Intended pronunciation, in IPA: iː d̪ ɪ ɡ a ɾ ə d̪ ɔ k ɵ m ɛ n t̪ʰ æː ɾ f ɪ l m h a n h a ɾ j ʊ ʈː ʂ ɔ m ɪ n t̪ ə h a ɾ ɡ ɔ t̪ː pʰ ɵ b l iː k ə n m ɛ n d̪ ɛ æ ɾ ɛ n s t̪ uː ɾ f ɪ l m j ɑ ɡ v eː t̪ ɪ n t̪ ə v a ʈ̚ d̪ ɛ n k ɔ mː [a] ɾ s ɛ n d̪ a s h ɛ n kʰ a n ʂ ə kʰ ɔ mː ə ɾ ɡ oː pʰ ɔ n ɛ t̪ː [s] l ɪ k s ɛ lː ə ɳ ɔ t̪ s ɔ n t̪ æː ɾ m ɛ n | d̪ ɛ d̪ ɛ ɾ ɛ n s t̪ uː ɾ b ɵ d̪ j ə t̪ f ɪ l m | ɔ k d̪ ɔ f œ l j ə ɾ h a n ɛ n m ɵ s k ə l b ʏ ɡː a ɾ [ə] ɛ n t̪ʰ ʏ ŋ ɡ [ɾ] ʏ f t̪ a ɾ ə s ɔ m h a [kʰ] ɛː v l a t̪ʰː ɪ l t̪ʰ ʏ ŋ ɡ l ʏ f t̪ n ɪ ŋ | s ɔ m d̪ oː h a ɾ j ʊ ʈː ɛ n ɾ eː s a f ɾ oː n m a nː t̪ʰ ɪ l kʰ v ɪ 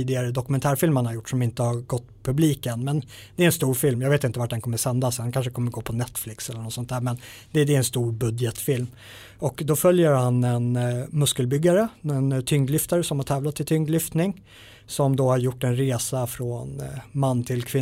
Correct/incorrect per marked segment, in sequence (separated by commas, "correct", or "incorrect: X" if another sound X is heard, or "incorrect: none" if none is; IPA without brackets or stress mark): incorrect: ə, incorrect: f, correct, incorrect: l, incorrect: ʈʰ